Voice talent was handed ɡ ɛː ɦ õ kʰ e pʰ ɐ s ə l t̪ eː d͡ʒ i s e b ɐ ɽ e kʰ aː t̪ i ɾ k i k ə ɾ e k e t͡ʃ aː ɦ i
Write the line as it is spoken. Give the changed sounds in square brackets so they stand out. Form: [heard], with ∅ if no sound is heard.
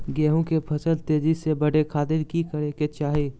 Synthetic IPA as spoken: ɡ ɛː ɦ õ [k] e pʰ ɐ s ə l t̪ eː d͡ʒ i s e b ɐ ɽ e kʰ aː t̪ [ɪ] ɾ k i k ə ɾ e k e t͡ʃ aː ɦ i